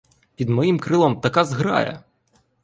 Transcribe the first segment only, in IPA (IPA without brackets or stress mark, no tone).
pʲ